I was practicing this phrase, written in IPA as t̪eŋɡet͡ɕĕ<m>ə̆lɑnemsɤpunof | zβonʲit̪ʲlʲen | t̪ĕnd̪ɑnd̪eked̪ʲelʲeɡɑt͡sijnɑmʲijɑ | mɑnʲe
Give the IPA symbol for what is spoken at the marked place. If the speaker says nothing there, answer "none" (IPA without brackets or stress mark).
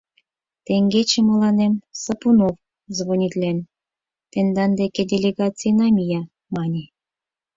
m